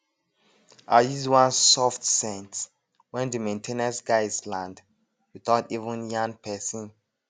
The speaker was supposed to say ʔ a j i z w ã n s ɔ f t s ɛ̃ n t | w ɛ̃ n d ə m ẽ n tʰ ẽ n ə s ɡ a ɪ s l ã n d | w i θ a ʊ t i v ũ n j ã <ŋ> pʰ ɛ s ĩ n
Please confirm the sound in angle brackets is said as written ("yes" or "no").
yes